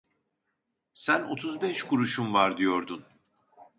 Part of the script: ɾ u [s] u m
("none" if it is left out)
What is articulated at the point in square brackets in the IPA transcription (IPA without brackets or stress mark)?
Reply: ʃ